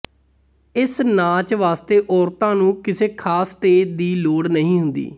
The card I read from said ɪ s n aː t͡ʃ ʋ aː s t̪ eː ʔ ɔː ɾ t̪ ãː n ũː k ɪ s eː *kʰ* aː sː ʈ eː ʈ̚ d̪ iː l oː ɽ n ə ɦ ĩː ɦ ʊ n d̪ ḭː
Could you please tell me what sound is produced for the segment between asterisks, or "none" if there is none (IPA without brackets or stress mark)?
kʰ